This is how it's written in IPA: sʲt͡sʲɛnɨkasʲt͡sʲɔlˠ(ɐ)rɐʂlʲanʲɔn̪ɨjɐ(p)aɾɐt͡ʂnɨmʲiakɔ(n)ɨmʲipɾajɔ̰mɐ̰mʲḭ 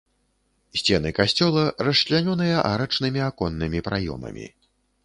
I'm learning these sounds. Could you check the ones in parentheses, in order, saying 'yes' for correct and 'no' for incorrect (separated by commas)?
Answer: yes, no, no